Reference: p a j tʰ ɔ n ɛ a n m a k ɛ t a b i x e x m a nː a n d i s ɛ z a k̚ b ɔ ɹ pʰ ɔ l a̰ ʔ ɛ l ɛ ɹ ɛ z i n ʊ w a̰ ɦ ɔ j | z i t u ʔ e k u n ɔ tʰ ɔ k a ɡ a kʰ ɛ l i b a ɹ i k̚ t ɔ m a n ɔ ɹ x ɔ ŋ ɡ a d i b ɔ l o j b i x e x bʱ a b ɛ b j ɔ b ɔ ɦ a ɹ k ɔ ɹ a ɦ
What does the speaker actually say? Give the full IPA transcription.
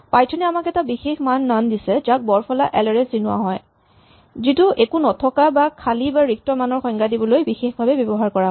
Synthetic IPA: p a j tʰ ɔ n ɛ a m a k ɛ t a b i x e x m a nː a n d i s ɛ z a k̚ b ɔ ɹ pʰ ɔ l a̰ ʔ ɛ l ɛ ɹ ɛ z i n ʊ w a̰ ɦ ɔ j | z i t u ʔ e k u n ɔ tʰ ɔ k a b a kʰ a l i b a ɹ i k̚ t ɔ m a n ɔ ɹ x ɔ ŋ ɡ a d i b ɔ l o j b i x e x bʱ a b ɛ b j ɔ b ɔ ɦ a ɹ k ɔ ɹ a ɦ